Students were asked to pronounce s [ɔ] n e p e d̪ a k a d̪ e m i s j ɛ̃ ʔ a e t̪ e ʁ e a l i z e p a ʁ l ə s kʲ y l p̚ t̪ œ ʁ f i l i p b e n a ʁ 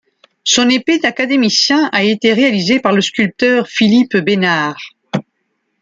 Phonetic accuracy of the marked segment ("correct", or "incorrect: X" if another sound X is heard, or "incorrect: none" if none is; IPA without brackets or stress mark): incorrect: ɔ̃